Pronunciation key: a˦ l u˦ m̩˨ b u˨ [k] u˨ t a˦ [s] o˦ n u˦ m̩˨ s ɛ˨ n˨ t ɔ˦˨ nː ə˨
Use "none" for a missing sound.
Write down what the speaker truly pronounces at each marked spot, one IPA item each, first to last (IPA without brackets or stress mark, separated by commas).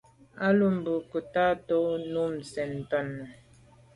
k, t